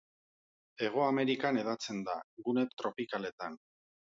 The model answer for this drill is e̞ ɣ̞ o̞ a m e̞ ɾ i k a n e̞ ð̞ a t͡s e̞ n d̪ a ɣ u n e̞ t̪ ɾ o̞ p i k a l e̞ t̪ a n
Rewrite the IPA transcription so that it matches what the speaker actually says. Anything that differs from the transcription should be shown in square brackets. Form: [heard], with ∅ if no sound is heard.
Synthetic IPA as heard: e̞ ɣ̞ o̞ a m e̞ ɾ i k a n e̞ ð̞ a t͡s e̞ n d̪ a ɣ u n e̞ t̪ ɾ o̞ p i k a l e̞ t̪ a n

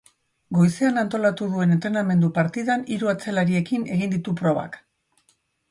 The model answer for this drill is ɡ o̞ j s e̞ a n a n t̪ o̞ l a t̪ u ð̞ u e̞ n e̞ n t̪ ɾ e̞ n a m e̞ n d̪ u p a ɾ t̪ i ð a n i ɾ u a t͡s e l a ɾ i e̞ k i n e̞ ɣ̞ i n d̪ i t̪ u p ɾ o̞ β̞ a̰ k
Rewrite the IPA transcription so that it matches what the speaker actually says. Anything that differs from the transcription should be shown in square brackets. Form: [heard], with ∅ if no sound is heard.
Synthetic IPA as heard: ɡ o̞ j s e̞ a n a n t̪ o̞ l a t̪ u ð̞ u e̞ n e̞ n t̪ ɾ e̞ n a m e̞ n d̪ u p a ɾ t̪ i ð a n i ɾ u a t͡s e l a ɾ i e̞ k i n e̞ ɣ̞ i n d̪ i t̪ u p ɾ o̞ β̞ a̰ k

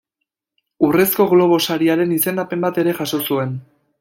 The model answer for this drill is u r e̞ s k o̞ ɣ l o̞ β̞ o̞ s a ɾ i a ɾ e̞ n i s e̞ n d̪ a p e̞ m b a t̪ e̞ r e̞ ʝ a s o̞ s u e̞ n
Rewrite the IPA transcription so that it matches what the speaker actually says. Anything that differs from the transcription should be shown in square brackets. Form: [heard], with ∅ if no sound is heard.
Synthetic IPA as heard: u r e̞ s k o̞ ɣ l o̞ β̞ o̞ s a ɾ i a ɾ e̞ n i s e̞ n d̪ a p e̞ m b a t̪ e̞ [ɾ] e̞ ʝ a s o̞ s u e̞ n

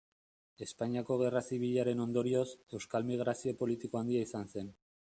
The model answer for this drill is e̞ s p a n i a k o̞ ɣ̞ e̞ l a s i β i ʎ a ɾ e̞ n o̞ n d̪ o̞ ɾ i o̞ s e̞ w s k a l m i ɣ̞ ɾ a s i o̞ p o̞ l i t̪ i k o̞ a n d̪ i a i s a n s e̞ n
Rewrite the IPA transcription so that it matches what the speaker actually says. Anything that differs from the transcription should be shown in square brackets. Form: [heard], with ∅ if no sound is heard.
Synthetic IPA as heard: e̞ s p a [ɲ] i a k o̞ ɣ̞ e̞ [r] a s i β i ʎ a ɾ e̞ n o̞ n d̪ o̞ ɾ i o̞ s e̞ w s k a l m i ɣ̞ ɾ a s i o̞ p o̞ l i t̪ i k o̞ a n d̪ i a i s a n s e̞ n

